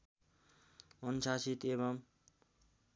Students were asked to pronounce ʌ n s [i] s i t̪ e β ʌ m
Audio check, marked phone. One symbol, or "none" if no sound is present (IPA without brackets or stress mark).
a